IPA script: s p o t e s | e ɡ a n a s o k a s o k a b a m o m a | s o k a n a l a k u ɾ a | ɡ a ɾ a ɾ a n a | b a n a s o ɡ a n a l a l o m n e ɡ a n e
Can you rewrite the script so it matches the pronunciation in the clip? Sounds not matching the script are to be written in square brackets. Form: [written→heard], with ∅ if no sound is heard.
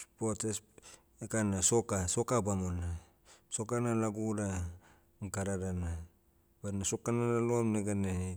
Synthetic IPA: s p o t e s | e [ɡ→k] a n a s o k a s o k a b a m o [m→n] a | s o k a n a l a [k→ɡ] u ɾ a | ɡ a ɾ a ɾ a n a | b a n a s o [ɡ→k] a n a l a l o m n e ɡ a n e